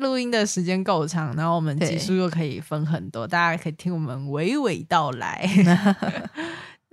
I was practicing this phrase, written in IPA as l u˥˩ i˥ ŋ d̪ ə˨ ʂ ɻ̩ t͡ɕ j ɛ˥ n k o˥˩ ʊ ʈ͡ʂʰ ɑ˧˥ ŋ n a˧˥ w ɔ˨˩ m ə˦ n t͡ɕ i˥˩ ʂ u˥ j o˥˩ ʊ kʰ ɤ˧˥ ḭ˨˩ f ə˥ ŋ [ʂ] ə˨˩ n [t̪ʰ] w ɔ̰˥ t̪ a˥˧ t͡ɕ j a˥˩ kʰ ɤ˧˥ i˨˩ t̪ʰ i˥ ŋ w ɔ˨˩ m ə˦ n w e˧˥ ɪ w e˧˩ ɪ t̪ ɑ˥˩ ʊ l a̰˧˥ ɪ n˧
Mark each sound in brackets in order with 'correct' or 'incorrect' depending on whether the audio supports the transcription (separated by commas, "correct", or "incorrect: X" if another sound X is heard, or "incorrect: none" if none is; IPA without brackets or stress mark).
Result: incorrect: x, incorrect: t̪